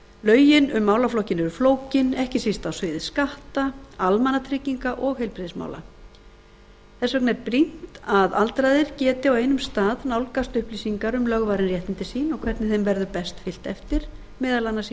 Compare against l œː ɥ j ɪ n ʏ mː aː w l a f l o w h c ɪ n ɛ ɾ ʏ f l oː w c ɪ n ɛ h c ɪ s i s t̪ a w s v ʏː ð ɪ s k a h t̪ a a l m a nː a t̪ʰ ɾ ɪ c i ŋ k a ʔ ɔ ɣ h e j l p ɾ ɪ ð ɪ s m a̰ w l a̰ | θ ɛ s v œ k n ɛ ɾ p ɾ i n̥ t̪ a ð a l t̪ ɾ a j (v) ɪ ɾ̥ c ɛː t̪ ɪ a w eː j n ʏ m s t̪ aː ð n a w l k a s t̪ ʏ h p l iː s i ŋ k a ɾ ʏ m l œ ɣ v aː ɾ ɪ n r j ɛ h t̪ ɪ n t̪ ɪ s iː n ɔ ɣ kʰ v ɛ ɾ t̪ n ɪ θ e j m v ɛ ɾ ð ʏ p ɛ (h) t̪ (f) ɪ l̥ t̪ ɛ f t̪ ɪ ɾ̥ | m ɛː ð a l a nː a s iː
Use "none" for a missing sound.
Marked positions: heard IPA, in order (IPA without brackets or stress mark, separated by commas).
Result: ð, s, f